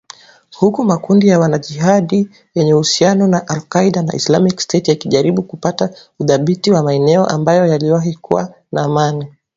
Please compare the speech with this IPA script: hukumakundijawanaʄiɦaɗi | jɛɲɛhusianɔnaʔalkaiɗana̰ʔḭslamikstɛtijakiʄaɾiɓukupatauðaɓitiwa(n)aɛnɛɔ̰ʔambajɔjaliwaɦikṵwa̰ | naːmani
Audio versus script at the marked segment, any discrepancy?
yes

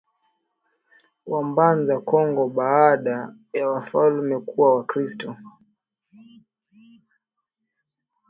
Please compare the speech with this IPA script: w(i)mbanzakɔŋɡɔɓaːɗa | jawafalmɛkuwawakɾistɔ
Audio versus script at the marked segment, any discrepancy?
yes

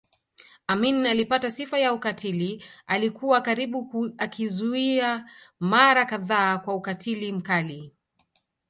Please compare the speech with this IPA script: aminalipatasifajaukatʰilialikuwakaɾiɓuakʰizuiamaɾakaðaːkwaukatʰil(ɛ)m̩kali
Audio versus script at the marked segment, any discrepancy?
yes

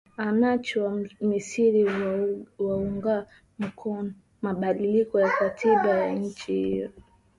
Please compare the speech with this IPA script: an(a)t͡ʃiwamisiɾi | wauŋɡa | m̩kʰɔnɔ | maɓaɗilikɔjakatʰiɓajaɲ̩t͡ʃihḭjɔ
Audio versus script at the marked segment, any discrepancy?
no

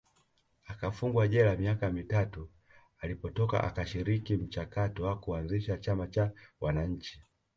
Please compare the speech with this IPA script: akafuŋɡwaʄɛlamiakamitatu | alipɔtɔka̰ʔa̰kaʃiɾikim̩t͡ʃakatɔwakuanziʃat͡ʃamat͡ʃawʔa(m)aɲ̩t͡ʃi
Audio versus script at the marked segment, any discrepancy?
yes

